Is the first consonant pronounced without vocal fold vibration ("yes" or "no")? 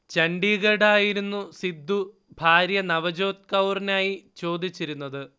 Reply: yes